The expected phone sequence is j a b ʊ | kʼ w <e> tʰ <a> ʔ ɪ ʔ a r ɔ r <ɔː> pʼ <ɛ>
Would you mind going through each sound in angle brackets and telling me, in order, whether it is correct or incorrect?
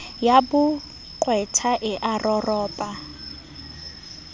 incorrect: ɛ, correct, correct, incorrect: a

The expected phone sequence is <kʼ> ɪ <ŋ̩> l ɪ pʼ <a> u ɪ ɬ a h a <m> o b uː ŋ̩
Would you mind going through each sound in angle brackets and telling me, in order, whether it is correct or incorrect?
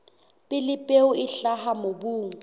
incorrect: pʼ, incorrect: none, incorrect: e, correct

